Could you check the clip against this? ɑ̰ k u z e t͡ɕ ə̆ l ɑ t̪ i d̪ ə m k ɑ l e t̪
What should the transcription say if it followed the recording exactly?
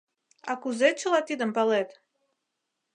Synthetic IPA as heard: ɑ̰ k u z e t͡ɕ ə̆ l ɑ t̪ i d̪ ə m p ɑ l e t̪